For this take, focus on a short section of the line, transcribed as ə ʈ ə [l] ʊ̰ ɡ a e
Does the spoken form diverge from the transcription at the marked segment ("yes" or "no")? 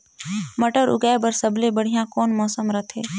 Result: yes